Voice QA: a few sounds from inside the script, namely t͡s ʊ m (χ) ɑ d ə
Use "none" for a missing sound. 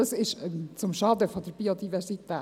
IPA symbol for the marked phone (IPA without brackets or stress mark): ʃ